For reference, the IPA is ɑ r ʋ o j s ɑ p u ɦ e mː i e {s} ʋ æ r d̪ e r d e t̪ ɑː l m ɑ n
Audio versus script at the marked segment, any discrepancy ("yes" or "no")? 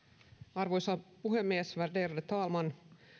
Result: no